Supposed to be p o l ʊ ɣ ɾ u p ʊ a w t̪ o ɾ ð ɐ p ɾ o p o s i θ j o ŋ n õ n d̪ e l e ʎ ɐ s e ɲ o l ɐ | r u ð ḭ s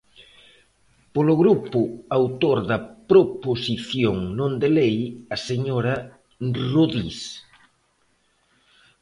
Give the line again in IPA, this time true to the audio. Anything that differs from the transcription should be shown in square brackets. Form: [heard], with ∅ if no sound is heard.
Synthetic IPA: p o l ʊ ɣ ɾ u p ʊ a w t̪ o ɾ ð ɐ p ɾ o p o s i θ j o ŋ n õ n d̪ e l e [j] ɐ s e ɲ o [ɾ] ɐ | r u ð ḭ s